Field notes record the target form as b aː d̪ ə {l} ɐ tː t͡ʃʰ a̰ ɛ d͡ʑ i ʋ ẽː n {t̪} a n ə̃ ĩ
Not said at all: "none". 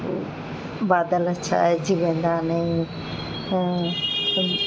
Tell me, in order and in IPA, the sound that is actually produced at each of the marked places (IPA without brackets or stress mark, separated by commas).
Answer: l, d̪